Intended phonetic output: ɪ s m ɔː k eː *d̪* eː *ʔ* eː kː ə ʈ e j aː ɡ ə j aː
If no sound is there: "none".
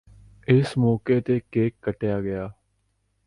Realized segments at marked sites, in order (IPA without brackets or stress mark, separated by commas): t̪, k